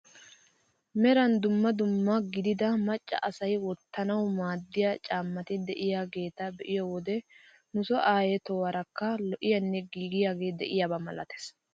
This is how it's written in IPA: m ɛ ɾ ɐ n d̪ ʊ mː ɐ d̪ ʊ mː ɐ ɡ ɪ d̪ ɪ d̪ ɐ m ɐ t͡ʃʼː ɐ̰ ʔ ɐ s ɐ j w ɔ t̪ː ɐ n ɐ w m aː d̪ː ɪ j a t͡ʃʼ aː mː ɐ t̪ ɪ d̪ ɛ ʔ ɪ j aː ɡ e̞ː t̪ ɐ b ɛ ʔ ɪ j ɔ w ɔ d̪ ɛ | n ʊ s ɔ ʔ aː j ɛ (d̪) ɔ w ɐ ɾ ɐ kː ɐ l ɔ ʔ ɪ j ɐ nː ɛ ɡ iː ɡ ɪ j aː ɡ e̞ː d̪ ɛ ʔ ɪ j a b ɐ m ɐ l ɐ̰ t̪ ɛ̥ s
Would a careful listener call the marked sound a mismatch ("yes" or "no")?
yes